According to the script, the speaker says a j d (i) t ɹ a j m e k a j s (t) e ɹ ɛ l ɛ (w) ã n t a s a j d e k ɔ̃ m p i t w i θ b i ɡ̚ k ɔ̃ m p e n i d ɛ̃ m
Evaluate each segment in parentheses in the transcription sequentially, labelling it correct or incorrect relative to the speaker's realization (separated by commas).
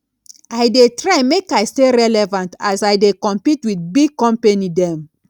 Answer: incorrect, correct, incorrect